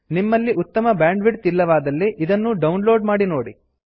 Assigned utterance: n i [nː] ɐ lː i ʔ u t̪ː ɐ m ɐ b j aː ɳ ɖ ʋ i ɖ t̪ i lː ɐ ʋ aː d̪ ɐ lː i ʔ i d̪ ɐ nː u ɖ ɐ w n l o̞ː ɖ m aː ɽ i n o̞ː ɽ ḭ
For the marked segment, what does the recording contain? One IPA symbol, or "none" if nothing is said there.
mː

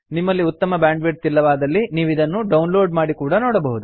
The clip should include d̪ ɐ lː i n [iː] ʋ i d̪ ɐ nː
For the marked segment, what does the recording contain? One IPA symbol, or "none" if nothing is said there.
iː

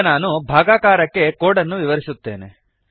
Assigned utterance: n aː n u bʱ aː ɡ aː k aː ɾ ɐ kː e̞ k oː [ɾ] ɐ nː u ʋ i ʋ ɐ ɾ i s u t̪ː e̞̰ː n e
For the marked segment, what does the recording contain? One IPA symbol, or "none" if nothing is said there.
ɽ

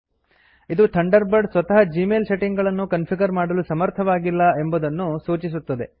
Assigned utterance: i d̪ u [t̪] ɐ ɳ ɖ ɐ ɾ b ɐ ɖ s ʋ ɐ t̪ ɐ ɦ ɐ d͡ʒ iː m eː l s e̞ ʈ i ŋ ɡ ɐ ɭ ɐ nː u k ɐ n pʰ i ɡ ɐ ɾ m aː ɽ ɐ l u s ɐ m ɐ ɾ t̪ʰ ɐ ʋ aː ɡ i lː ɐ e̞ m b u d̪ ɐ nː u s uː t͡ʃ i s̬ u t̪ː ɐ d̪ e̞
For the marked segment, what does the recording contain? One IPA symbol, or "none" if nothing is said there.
t̪ʰ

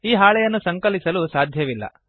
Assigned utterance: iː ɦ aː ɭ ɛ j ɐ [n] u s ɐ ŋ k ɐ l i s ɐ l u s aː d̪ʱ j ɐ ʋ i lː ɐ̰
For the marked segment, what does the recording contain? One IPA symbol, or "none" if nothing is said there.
nː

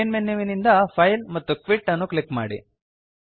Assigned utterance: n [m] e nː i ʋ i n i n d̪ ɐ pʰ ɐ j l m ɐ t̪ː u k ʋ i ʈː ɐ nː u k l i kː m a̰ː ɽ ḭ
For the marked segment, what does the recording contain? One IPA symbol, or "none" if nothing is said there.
m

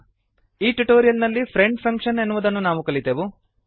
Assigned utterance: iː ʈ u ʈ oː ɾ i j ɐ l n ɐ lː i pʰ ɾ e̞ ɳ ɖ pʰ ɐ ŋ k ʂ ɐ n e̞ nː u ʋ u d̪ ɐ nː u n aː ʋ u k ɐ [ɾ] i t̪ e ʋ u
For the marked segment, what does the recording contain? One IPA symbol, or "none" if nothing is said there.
ɭ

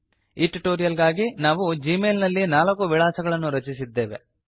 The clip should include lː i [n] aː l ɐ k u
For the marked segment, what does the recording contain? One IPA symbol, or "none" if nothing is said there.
n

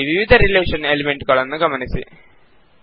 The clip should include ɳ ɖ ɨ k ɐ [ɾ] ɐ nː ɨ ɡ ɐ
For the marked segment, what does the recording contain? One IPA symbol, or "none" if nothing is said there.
ɭ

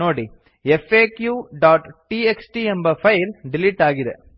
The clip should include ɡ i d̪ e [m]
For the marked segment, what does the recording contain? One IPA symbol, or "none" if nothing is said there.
none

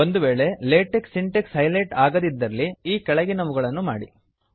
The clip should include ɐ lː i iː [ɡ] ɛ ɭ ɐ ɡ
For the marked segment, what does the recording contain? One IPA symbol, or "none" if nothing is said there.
k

